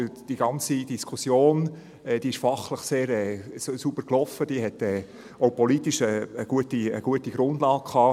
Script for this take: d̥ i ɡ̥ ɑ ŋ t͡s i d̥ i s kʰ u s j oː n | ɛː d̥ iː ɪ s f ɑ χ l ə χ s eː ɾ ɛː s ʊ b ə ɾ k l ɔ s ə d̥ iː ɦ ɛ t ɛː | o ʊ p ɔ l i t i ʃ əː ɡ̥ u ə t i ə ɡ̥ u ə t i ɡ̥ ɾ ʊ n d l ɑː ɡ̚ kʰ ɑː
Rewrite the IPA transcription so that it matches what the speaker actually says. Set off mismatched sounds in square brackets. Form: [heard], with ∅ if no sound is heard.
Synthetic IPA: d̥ i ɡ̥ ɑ [n] t͡s i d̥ i s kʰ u s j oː n | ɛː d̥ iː ɪ [ʃ] f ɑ χ l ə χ s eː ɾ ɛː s [u] b ə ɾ k l ɔ [f] ə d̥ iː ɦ ɛ t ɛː | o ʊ p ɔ l i t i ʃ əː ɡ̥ u ə t i ə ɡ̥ u ə t i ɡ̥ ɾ ʊ n d l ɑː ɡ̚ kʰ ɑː